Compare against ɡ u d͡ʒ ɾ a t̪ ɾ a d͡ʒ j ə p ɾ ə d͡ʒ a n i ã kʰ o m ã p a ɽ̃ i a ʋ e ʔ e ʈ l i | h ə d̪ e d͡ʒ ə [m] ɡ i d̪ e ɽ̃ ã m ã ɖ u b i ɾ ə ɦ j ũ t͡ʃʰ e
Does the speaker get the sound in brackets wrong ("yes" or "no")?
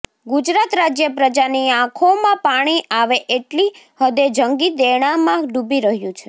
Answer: yes